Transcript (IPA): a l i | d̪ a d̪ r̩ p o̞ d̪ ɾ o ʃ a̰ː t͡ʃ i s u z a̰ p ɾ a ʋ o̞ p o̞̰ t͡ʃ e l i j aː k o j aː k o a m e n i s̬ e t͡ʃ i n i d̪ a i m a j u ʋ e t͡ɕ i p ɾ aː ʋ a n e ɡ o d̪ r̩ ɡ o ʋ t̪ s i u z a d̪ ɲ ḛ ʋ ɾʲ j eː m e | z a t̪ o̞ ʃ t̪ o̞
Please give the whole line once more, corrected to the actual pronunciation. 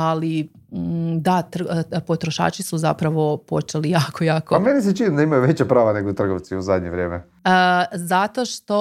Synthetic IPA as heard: a l i | d̪ a t̪ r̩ p o̞ t̪ ɾ o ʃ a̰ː t͡ʃ i s u z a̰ p ɾ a ʋ o̞ p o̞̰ t͡ʃ e l i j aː k o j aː k o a m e n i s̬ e t͡ʃ i n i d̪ a i m a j u ʋ e t͡ɕ a p ɾ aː ʋ a n e ɡ o t̪ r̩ ɡ o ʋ t̪ s i u z a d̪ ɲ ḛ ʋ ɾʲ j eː m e | z a t̪ o̞ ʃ t̪ o̞